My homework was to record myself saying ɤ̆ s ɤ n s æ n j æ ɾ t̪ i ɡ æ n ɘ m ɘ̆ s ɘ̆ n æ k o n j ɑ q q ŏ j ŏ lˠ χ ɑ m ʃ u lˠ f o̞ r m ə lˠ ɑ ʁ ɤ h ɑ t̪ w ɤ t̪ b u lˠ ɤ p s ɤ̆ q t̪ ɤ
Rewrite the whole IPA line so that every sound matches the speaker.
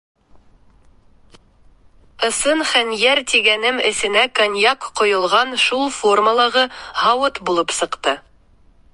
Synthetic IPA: ɤ̆ s ɤ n χ æ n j æ ɾ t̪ i ɡ æ n ɘ m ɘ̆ s ɘ̆ n æ k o n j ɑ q q ŏ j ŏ lˠ ʁ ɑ n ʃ u lˠ f o̞ r m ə lˠ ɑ ʁ ɤ h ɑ w ɤ t̪ b u lˠ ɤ p s ɤ̆ q t̪ ɤ